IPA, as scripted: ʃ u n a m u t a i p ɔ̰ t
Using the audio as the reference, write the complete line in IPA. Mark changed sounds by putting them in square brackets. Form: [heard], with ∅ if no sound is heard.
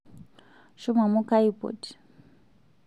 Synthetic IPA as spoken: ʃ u [m] a m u [k] a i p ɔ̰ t